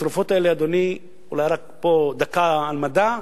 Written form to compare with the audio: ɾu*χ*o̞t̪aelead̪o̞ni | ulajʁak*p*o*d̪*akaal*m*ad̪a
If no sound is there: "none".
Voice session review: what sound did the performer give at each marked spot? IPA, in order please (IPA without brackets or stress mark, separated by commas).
f, p, d̪, m